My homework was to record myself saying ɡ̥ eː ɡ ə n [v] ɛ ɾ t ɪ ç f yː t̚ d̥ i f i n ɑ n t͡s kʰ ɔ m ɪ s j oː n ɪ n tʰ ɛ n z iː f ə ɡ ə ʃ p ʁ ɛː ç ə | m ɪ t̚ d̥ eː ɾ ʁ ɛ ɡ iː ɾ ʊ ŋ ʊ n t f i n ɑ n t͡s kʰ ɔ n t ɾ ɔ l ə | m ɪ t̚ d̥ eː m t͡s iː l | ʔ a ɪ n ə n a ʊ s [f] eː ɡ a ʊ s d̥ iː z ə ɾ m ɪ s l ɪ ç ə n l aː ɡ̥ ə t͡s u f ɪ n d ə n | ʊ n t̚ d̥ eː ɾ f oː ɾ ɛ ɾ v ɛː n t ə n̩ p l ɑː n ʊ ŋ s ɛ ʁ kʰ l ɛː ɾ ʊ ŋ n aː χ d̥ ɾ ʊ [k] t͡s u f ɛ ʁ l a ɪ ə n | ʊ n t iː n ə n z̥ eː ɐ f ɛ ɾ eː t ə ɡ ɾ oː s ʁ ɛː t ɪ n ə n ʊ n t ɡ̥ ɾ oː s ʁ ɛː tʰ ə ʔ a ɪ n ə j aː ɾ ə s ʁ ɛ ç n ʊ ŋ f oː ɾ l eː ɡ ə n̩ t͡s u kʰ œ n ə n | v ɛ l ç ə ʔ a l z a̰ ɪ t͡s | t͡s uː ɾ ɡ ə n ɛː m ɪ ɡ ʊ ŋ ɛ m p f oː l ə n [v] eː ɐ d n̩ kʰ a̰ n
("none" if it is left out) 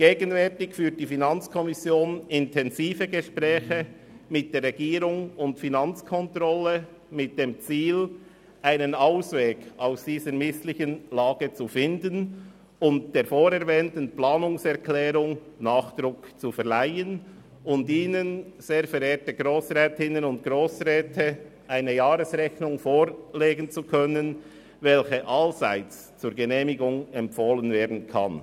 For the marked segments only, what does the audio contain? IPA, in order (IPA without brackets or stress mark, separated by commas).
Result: v, v, k, v